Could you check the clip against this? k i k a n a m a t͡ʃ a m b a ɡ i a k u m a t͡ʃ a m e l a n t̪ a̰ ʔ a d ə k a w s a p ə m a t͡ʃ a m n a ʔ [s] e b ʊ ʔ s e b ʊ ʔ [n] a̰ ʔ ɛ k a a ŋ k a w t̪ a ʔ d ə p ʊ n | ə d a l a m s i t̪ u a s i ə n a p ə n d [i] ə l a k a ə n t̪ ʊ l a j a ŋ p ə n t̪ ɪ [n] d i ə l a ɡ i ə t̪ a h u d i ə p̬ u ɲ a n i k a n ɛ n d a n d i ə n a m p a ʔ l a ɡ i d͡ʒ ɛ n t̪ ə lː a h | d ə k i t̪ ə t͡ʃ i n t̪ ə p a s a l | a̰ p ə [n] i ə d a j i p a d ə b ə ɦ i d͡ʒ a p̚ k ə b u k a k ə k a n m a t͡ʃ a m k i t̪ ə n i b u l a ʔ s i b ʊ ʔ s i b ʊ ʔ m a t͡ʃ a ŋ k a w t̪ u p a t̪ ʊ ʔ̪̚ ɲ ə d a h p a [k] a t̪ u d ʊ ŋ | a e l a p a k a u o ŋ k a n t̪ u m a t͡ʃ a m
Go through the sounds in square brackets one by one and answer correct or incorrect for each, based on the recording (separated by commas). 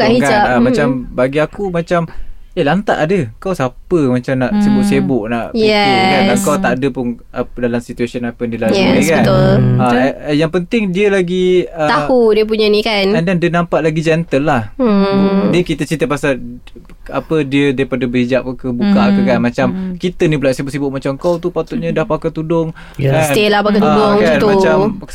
correct, correct, correct, incorrect, incorrect, correct